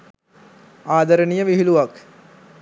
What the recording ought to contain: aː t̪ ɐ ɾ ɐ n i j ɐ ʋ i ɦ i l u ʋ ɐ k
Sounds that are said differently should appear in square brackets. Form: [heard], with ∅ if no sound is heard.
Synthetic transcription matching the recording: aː [d̪] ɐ ɾ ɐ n i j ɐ ʋ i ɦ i l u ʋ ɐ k